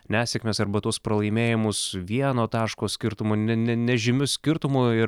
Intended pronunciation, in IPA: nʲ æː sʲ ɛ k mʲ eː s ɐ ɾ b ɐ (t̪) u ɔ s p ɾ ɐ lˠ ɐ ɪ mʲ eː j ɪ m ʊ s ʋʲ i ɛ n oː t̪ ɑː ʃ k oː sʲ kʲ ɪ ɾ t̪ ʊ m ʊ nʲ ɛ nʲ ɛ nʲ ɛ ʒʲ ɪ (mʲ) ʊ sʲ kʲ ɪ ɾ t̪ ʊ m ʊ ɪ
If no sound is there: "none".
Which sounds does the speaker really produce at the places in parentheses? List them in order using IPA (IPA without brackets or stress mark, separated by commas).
t̪, mʲ